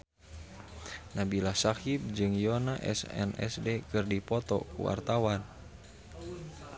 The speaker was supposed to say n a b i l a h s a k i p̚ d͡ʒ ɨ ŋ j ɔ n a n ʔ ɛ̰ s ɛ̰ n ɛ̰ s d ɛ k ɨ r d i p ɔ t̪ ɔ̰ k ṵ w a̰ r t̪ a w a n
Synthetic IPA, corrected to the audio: n a b i l a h s a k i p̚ d͡ʒ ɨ ŋ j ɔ n a ʔ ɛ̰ s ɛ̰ n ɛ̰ s d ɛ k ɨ r d i p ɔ t̪ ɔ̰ k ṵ w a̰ r t̪ a w a n